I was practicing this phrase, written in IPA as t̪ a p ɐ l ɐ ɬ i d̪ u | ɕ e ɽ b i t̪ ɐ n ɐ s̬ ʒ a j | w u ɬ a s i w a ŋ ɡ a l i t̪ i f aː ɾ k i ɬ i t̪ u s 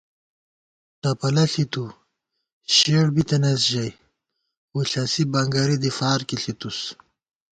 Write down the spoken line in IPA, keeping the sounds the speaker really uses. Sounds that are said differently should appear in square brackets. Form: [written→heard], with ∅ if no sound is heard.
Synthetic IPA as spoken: t̪ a p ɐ l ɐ ɬ i [d̪→t̪] u | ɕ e ɽ b i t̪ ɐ n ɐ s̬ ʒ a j | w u ɬ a s i [w→b] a ŋ ɡ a [l→ɾ] i [t̪→d̪] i f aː ɾ k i ɬ i t̪ u s